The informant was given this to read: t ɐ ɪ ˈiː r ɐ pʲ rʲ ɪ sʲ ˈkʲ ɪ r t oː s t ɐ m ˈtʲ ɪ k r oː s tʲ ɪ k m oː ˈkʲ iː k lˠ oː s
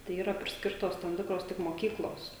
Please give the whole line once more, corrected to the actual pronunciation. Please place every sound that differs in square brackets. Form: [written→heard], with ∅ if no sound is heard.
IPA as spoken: t ɐ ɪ ˈiː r ɐ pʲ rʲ ɪ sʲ ˈkʲ ɪ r t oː s t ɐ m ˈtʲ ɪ k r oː s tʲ ɪ k m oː ˈkʲ iː k lˠ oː s